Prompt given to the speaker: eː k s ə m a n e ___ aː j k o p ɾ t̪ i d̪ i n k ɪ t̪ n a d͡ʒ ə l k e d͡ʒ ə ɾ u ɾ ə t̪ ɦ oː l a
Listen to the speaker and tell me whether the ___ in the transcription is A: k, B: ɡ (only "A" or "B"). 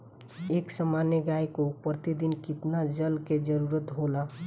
B